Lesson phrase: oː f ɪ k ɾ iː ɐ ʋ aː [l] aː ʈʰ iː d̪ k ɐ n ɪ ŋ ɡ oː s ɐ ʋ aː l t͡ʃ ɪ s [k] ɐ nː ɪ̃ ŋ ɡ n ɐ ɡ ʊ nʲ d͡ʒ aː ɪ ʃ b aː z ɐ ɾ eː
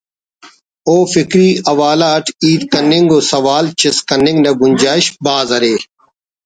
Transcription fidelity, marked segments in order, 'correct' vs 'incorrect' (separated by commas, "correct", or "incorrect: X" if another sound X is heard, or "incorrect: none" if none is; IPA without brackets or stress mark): correct, correct